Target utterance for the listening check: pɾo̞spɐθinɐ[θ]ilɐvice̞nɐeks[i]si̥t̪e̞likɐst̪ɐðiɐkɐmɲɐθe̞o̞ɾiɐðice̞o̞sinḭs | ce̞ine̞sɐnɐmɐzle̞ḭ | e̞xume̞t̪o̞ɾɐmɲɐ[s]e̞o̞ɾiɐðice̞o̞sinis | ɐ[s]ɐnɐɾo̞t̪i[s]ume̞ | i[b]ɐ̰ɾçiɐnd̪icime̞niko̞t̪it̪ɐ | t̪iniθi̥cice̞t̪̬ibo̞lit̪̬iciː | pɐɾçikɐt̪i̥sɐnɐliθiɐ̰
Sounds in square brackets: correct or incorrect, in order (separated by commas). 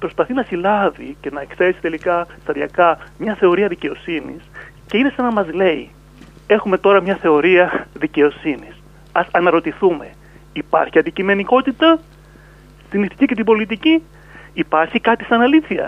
incorrect, incorrect, incorrect, correct, incorrect, incorrect